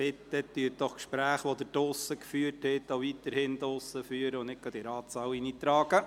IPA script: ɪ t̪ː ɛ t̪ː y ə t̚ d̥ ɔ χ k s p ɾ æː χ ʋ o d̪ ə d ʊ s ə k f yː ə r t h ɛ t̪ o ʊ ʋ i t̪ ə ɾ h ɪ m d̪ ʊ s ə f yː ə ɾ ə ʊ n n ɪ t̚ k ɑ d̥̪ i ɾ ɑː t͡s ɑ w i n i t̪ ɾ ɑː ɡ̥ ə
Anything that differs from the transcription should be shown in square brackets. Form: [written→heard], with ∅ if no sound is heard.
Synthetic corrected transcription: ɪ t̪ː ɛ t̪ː y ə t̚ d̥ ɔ χ k [s→ʃ] p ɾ æː χ ʋ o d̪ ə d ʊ s ə k f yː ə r t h ɛ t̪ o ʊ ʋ i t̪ ə ɾ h ɪ [m→n] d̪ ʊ s ə f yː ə ɾ ə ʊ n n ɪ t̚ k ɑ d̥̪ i ɾ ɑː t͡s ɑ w i n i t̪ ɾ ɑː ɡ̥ ə